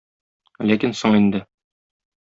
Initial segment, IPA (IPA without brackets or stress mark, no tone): l